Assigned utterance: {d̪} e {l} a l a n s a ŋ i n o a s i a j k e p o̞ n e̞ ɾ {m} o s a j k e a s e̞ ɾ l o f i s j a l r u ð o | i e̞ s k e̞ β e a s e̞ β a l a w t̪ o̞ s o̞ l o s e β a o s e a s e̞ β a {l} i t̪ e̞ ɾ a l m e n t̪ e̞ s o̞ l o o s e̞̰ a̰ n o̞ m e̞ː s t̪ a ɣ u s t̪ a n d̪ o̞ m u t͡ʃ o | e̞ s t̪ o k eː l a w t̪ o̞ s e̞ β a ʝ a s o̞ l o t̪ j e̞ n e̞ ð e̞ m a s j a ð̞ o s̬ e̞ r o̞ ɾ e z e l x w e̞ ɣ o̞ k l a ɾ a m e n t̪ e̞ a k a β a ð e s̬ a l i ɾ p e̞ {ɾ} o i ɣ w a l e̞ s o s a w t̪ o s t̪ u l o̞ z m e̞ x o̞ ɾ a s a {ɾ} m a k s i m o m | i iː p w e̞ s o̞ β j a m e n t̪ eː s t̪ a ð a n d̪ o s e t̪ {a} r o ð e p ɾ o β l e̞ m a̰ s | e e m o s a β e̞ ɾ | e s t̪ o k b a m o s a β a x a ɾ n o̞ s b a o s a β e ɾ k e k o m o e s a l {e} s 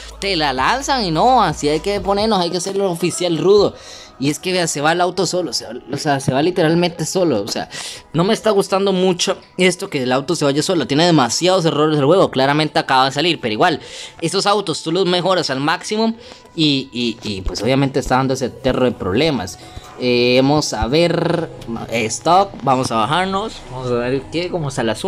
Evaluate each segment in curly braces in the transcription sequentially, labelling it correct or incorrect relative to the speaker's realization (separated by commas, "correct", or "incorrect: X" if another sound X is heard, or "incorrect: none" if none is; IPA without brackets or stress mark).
incorrect: t̪, correct, incorrect: n, correct, correct, incorrect: l, incorrect: e, incorrect: a